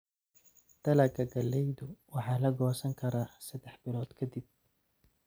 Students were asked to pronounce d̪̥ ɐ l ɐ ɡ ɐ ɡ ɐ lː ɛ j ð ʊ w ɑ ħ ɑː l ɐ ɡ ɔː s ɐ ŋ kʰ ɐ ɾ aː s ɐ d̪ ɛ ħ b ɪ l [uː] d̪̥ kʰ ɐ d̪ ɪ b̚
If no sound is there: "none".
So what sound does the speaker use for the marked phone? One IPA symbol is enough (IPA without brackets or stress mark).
ɔː